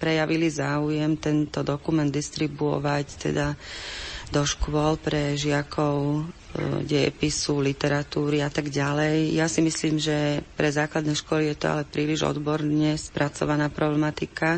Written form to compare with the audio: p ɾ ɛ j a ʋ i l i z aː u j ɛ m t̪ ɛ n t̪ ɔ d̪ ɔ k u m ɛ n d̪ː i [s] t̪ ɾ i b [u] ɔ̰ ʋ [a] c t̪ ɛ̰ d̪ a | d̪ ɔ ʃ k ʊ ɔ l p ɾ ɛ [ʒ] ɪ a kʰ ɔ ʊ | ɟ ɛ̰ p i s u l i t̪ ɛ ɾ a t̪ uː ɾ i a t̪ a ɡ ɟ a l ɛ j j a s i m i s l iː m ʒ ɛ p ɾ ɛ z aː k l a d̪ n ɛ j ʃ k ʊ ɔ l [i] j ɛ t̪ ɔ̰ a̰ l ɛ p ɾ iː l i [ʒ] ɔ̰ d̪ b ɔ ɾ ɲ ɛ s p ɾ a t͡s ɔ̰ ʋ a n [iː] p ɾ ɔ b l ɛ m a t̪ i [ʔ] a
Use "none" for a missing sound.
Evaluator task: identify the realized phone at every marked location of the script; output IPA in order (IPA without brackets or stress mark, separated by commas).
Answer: s, u, a, ʒ, i, ʒ, aː, k